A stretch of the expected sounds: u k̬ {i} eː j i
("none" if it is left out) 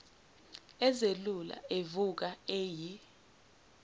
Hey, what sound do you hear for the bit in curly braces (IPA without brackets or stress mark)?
a